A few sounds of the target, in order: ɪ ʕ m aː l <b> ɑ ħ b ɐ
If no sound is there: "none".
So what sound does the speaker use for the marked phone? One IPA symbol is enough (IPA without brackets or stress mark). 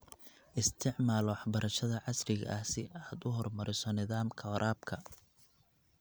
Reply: w